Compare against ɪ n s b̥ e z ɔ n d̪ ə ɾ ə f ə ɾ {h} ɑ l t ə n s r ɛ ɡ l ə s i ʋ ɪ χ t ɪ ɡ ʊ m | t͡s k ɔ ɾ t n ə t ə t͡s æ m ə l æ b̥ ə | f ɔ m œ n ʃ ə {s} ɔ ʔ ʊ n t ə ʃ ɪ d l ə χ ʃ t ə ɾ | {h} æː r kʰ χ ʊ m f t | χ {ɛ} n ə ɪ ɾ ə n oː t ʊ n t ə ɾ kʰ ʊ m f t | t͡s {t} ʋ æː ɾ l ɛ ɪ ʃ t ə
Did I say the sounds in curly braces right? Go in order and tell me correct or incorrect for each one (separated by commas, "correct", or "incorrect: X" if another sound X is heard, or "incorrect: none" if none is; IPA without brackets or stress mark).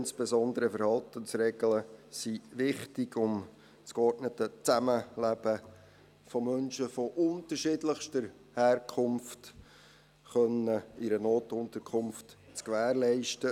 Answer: correct, incorrect: f, correct, incorrect: œ, incorrect: k